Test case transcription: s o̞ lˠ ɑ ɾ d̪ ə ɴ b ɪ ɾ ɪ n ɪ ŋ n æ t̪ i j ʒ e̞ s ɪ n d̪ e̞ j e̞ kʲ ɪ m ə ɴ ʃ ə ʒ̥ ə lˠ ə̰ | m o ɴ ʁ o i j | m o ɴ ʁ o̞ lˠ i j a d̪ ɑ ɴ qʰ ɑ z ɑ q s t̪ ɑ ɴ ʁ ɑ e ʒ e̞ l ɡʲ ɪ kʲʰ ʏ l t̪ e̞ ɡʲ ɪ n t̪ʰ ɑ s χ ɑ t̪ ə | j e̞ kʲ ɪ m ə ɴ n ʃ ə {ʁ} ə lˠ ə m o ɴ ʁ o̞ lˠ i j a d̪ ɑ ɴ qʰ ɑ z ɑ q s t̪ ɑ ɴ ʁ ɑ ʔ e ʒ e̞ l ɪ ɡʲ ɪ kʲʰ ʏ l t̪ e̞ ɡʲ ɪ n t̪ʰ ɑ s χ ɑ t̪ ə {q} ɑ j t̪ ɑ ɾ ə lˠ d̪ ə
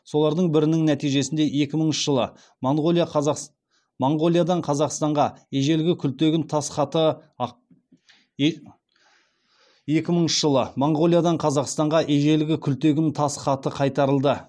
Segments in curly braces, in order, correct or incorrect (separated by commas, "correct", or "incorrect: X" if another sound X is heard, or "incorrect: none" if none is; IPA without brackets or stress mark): incorrect: ʒ, incorrect: qʰ